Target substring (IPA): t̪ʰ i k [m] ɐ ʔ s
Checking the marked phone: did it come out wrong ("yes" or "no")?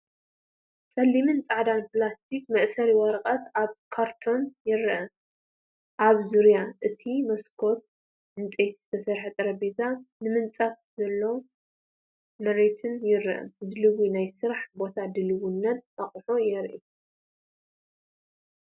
no